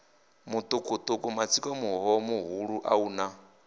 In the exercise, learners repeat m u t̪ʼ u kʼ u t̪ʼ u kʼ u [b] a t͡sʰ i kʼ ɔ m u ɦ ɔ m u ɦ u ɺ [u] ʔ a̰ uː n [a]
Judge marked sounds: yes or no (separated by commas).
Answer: no, yes, yes